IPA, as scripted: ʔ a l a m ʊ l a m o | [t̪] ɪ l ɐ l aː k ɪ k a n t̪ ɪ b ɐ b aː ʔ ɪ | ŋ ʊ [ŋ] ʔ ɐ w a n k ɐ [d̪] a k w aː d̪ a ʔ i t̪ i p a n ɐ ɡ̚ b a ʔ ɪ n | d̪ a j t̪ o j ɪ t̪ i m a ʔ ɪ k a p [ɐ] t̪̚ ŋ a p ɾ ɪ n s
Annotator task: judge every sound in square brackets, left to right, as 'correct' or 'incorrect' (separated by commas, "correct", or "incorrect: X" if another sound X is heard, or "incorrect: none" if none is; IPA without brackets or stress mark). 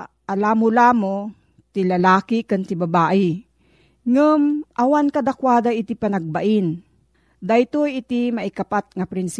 correct, incorrect: m, correct, incorrect: a